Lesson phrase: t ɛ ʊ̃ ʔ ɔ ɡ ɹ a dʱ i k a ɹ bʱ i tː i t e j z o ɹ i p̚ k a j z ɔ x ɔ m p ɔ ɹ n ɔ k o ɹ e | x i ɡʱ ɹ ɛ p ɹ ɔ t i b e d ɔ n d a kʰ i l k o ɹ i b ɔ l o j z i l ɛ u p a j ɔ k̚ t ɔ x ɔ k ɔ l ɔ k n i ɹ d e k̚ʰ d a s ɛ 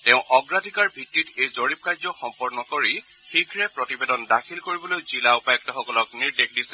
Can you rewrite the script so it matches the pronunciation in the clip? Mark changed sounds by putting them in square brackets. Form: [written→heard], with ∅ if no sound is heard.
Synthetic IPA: t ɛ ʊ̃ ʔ ɔ ɡ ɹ a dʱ i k a ɹ bʱ i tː i t e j z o ɹ i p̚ k a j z ɔ x ɔ m p ɔ ɹ n ɔ k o ɹ [e→i] | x i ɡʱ ɹ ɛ p ɹ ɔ t i b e d ɔ n d a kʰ i l k o ɹ i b ɔ l o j z i l [ɛ→a] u p a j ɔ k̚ t ɔ x ɔ k ɔ l ɔ k n i ɹ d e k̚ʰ d [a→i] s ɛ